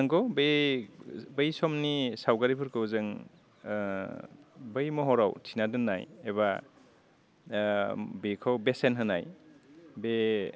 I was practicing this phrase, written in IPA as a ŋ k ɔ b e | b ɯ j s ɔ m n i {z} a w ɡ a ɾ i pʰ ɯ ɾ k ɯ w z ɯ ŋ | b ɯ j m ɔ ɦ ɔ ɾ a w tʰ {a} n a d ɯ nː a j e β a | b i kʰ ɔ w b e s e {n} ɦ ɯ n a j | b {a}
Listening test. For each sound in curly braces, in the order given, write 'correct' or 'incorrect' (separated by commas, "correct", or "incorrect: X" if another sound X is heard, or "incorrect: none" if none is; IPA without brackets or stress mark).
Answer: incorrect: s, incorrect: i, correct, incorrect: e